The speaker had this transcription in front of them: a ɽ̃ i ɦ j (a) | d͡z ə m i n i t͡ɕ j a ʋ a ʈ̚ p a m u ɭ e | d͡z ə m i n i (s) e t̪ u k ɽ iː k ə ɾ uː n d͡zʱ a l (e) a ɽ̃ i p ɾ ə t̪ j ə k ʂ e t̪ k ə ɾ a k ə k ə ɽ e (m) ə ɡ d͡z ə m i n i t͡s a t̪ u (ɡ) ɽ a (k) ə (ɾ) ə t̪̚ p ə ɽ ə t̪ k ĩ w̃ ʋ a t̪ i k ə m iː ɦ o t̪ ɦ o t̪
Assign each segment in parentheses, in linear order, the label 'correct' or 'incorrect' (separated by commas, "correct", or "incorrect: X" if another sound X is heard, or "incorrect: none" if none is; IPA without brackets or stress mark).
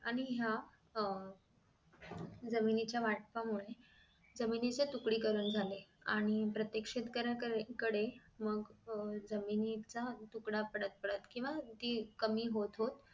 correct, incorrect: t͡s, correct, correct, incorrect: k, incorrect: p, incorrect: ɽ